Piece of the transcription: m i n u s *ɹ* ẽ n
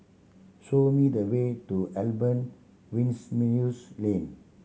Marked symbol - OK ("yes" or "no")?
no